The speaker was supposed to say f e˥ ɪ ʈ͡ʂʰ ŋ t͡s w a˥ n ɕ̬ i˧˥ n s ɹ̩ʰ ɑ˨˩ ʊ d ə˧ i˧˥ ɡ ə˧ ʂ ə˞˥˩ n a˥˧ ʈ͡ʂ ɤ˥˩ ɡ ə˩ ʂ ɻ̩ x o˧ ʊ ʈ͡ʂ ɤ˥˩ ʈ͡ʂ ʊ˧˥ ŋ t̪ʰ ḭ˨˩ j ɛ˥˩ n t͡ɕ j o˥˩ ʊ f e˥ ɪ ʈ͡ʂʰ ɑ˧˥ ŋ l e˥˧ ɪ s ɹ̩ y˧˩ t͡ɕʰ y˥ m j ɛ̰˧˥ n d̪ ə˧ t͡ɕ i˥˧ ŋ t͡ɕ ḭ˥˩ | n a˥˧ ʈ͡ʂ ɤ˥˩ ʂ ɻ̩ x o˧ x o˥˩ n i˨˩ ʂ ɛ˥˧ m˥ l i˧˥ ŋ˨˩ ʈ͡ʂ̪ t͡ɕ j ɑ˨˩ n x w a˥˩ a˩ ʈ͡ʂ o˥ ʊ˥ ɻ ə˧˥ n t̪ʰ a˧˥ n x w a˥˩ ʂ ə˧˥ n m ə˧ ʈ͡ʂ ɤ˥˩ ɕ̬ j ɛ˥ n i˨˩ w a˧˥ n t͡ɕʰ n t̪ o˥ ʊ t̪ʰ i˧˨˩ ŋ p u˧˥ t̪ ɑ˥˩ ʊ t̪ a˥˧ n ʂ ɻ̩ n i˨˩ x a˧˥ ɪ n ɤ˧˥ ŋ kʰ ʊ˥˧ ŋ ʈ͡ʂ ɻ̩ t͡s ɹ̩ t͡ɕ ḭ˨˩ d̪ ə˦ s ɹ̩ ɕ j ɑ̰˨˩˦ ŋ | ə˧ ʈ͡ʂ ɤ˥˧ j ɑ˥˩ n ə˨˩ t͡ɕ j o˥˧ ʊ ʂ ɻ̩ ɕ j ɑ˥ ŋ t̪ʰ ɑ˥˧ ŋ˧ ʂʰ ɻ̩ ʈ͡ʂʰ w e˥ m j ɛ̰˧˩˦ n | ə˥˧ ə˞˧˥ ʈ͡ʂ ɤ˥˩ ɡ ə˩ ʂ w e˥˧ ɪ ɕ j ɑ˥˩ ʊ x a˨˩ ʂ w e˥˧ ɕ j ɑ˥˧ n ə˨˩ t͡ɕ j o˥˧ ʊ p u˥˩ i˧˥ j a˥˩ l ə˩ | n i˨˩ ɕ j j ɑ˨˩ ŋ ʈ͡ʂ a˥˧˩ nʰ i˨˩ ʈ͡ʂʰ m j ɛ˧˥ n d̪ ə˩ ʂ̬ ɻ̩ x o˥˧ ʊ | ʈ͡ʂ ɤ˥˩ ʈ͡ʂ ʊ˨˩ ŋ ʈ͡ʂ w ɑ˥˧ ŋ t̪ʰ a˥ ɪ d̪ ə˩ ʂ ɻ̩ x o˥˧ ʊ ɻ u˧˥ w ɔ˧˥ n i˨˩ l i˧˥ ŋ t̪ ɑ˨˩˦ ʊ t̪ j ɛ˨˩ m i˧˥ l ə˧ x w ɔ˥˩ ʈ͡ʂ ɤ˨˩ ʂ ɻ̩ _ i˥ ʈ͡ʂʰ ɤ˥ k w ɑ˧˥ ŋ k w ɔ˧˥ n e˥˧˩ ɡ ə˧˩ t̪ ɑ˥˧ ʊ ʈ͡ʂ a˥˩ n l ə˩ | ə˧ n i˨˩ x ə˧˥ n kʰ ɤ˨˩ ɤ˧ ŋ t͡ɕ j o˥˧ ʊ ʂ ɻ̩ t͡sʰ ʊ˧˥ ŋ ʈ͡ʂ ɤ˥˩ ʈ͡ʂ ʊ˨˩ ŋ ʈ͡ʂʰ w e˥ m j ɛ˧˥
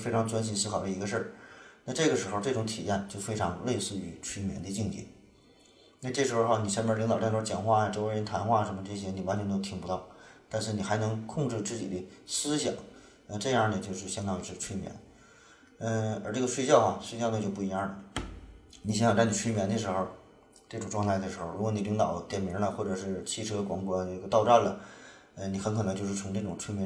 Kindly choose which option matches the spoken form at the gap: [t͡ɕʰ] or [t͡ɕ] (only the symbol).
t͡ɕʰ